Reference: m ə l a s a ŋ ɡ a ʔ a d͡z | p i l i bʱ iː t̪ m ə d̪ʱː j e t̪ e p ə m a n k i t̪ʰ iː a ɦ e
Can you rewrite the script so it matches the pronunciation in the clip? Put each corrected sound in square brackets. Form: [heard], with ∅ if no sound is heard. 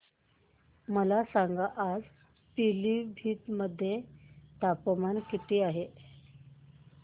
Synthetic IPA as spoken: m ə l a s a ŋ ɡ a ʔ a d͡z | p i l i bʱ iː t̪ m ə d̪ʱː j e t̪ [a] p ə m a n k i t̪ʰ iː a ɦ e